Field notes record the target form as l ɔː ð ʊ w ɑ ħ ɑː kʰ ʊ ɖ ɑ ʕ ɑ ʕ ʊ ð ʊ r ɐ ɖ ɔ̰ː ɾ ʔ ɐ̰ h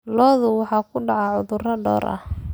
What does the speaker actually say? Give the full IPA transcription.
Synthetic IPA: l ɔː ð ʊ w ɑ ħ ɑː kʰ ʊ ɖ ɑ ʕ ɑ ʕ ʊ ð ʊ r ɐ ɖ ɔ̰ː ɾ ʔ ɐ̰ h